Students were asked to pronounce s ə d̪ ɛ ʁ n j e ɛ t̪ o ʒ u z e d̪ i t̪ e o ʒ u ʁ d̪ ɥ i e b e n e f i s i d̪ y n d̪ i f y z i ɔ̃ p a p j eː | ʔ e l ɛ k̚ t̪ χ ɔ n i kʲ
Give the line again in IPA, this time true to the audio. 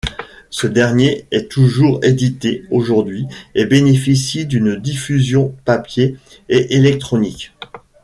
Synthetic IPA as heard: s ə d̪ ɛ ʁ n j e ɛ t̪ u ʒ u ʁ e d̪ i t̪ e o ʒ u ʁ d̪ ɥ i e b e n e f i s i d̪ y n d̪ i f y z j ɔ̃ p a p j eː | ʔ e l ɛ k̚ t̪ χ ɔ n i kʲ